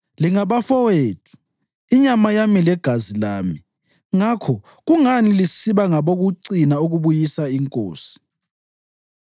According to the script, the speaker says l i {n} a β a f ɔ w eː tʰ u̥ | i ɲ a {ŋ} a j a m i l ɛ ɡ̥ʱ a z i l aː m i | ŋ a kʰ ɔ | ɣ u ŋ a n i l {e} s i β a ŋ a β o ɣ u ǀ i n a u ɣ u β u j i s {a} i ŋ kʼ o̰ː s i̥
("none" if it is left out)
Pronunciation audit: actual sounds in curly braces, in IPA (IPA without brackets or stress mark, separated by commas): ŋ, m, i, a